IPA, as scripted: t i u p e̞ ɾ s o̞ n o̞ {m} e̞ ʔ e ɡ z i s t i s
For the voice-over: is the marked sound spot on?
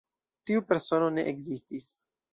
no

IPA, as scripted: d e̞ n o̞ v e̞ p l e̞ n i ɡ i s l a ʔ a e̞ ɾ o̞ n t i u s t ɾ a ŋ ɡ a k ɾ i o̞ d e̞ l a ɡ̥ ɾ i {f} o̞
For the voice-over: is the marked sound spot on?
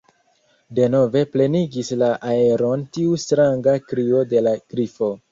yes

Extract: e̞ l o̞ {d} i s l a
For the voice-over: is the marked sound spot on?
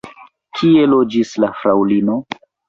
no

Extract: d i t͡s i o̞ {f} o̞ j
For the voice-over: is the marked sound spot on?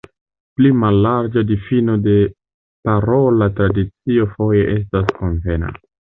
yes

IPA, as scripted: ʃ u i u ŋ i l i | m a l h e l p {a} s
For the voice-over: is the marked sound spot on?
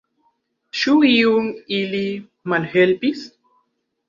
no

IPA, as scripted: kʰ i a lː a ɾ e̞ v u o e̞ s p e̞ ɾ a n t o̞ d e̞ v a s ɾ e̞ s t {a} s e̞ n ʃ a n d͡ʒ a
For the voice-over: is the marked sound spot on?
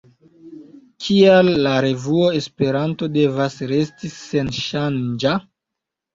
no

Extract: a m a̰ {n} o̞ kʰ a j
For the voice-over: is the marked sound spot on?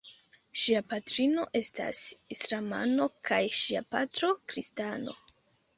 yes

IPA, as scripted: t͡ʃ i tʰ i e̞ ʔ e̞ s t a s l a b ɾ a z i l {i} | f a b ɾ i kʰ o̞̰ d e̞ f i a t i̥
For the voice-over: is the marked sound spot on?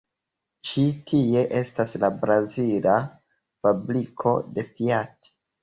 no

